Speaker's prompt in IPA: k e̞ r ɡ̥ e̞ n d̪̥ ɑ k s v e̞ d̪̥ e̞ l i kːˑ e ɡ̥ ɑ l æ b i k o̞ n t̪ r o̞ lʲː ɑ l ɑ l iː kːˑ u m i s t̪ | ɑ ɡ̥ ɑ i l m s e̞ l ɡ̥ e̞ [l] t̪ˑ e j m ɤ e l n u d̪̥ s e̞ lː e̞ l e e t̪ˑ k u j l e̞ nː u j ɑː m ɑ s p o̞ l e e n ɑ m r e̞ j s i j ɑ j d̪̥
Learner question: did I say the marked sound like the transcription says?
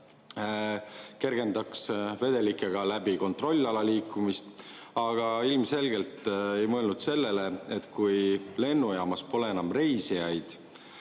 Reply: yes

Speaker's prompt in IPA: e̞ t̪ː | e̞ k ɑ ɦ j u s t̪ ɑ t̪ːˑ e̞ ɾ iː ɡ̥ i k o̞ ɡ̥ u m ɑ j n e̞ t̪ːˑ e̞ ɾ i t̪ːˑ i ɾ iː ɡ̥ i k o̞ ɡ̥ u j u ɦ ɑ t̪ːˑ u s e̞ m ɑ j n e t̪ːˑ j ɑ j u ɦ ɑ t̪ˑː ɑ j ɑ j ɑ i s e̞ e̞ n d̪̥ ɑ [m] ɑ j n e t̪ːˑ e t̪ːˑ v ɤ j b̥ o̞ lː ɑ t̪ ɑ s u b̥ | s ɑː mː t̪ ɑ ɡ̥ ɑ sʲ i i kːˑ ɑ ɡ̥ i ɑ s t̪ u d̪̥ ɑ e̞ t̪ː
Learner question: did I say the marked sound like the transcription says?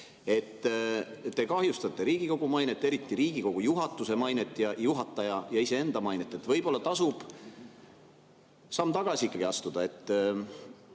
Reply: yes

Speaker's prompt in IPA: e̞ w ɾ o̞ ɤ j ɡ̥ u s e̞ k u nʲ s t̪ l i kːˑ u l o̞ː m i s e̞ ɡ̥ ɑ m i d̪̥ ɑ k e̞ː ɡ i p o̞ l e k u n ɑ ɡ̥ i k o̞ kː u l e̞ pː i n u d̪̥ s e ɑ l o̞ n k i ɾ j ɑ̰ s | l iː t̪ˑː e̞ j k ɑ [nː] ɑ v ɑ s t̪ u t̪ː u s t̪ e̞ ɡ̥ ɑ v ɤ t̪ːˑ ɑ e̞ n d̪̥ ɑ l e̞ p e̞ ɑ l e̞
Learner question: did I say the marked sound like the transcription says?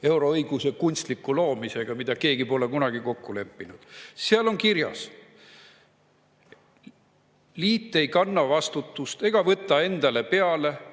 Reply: yes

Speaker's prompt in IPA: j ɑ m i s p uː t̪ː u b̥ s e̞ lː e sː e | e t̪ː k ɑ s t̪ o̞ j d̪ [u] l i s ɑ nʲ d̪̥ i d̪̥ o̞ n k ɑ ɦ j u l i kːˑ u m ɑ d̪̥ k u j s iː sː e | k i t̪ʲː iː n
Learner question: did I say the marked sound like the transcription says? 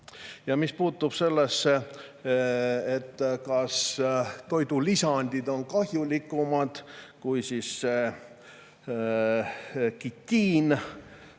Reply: yes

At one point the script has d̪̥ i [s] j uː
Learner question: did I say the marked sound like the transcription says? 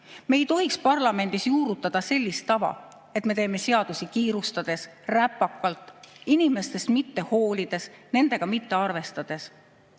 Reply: yes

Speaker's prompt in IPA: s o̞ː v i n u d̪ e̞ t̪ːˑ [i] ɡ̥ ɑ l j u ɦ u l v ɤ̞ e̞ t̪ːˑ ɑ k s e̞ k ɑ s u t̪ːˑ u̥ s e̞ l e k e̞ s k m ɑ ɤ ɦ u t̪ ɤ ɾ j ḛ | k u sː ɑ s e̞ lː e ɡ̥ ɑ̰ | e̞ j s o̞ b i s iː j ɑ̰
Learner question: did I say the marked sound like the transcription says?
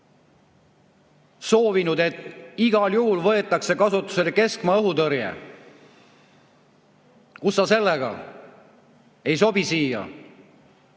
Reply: yes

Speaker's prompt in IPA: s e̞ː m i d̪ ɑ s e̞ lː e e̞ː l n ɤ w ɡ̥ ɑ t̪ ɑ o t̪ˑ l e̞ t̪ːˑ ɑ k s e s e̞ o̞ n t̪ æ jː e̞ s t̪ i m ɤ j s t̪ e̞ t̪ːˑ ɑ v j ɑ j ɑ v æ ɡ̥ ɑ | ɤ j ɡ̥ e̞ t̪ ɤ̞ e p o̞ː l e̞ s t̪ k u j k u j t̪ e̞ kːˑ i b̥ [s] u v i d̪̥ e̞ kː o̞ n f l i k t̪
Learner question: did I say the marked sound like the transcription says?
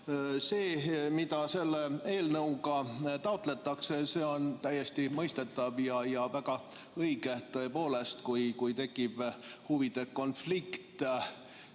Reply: no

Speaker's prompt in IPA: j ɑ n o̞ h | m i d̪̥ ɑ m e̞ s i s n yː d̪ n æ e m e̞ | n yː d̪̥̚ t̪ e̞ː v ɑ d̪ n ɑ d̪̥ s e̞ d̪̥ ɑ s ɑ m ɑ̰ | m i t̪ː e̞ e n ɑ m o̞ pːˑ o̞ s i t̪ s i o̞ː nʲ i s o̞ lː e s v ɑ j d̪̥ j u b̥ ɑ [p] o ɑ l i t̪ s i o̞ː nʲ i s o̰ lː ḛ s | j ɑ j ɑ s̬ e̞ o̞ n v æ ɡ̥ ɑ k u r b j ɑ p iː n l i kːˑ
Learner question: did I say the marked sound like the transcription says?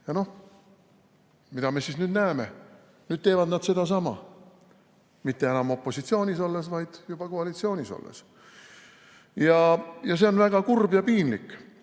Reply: no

